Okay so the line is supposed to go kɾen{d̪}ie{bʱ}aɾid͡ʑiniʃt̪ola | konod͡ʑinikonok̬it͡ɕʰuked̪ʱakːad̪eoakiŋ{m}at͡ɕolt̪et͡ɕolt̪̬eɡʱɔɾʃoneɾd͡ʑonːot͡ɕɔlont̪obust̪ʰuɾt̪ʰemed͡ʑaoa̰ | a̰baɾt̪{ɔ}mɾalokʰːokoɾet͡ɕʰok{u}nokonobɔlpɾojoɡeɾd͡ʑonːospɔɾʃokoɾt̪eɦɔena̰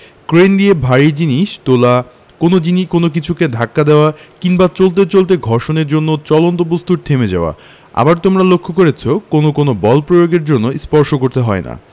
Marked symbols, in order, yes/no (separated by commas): yes, yes, no, no, no